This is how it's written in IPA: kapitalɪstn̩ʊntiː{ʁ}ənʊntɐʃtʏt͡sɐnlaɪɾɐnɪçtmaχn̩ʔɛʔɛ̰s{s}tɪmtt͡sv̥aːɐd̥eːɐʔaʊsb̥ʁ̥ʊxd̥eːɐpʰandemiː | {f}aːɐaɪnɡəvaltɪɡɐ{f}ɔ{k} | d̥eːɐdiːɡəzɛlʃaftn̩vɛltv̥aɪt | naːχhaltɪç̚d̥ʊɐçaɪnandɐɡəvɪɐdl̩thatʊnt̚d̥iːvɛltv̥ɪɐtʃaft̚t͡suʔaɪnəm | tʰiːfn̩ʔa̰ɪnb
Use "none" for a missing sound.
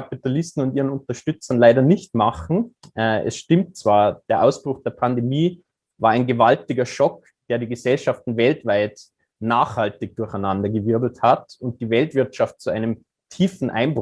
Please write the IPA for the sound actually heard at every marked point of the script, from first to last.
ʁ, ʃ, v, ʃ, k

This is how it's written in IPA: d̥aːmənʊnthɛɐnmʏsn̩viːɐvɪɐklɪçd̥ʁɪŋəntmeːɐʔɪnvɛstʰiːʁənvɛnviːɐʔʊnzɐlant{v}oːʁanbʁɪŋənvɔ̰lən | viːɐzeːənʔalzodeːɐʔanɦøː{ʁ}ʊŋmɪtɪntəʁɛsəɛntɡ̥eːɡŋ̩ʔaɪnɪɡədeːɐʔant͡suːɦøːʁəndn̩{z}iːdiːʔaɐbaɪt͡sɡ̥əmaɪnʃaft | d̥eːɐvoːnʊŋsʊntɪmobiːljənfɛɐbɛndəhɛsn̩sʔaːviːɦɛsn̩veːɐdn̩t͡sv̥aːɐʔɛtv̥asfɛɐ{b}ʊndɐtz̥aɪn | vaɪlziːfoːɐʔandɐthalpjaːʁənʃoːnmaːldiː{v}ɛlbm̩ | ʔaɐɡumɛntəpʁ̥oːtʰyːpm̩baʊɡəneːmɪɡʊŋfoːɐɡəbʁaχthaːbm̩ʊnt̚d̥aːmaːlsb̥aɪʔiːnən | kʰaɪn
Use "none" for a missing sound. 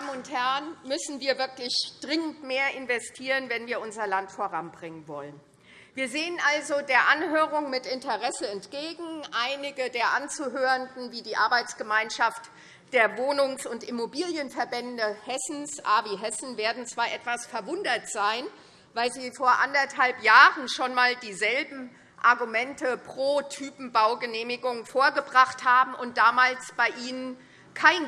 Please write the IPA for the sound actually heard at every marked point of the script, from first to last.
f, ʁ, v, v, z

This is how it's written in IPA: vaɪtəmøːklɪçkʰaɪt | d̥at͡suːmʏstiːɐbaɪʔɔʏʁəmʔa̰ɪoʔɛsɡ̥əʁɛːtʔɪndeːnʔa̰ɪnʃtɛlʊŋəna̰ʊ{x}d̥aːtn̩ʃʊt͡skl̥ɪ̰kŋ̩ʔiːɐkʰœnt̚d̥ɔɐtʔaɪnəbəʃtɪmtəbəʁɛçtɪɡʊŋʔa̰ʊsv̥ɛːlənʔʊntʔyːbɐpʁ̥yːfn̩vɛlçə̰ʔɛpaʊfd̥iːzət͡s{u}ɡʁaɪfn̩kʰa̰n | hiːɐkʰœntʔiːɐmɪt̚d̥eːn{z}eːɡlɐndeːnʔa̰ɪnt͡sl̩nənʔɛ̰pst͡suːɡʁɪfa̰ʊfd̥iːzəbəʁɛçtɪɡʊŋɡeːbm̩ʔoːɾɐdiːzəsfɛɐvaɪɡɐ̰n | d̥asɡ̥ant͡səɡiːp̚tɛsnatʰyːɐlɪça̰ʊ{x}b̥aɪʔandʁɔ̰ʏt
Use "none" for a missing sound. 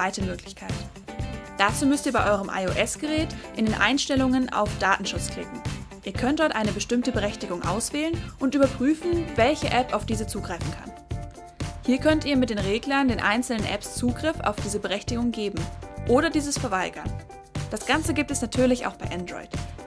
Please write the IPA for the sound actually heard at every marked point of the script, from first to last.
f, uː, ʁ, x

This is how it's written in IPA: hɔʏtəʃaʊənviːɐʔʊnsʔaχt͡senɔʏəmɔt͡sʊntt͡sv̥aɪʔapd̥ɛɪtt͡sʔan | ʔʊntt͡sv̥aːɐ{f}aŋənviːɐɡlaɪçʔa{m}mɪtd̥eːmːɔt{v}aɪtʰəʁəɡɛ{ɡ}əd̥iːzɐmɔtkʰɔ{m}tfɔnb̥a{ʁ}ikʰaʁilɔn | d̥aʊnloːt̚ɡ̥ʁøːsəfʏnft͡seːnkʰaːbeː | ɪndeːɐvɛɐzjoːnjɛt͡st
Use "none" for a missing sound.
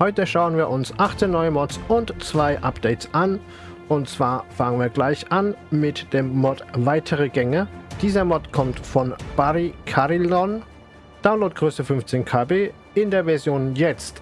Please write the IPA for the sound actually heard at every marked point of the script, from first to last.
f, n, v, ŋ, m, ʁ

